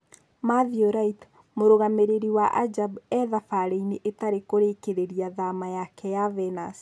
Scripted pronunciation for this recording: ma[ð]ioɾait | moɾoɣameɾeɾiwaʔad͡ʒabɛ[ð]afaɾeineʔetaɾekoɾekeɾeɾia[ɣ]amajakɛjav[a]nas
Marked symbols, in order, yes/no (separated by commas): yes, yes, no, no